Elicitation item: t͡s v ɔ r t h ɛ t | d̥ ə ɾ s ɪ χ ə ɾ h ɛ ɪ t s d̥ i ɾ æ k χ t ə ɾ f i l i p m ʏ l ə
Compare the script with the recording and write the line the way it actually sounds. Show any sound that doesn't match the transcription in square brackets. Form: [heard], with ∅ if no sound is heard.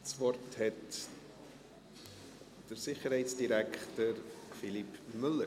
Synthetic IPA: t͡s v ɔ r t h ɛ t | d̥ ə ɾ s ɪ χ ə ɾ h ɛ ɪ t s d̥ i ɾ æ k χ t ə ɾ f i l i p m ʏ l ə